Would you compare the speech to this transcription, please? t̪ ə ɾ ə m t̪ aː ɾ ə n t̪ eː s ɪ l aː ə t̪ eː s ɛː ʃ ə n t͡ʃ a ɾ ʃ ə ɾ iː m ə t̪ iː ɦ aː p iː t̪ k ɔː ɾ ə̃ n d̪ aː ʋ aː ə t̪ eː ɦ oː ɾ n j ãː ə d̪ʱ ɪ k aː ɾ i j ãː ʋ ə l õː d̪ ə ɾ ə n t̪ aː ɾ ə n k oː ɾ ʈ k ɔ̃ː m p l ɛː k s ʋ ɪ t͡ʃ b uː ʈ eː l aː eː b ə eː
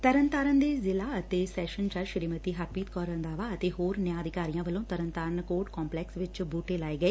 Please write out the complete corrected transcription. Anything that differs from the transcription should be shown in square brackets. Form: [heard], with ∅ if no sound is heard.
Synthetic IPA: t̪ ə ɾ ə [n] t̪ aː ɾ ə n [d̪] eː [z] ɪ l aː ə t̪ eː s ɛː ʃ ə n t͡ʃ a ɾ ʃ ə ɾ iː m ə t̪ iː ɦ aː p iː t̪ k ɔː ɾ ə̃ n d̪ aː ʋ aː ə t̪ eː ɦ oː ɾ n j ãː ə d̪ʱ ɪ k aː ɾ i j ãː ʋ ə l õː [t̪] ə ɾ ə n t̪ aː ɾ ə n k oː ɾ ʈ k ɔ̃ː m p l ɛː k s ʋ ɪ t͡ʃ b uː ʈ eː l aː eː [ɡ] ə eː